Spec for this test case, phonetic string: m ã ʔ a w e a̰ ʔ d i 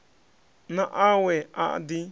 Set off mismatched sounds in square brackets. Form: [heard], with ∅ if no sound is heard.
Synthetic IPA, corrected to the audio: [n] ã ʔ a w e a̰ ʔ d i